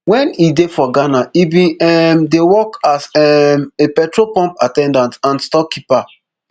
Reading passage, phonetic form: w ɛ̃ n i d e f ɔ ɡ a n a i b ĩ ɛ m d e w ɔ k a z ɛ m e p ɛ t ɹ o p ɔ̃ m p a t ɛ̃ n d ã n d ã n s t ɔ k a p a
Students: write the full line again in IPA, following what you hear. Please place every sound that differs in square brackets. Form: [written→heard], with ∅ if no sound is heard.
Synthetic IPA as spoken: w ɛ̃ n i d e f ɔ ɡ a n a i b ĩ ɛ m d e w ɔ k a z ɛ m e p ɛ t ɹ o p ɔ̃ m p a t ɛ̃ n d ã n [d→t] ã n s t ɔ k [a→i] p a